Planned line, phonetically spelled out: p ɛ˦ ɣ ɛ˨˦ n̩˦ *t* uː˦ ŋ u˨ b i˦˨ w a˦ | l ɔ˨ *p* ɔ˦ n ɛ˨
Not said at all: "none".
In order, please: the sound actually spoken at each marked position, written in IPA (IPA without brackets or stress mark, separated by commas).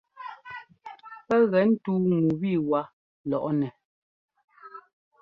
t, ʔ